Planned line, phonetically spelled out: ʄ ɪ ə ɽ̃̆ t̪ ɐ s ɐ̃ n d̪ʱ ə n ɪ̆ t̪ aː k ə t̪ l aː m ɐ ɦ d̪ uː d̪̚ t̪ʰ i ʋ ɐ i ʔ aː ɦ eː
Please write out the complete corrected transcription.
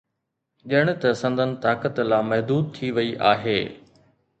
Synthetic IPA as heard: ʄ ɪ ə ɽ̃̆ t̪ ɐ s ɐ̃ n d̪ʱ ə n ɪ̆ t̪ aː k ə t̪ l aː m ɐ ɦ d̪ uː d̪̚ t̪ʰ i ʋ ɐ i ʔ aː ɦ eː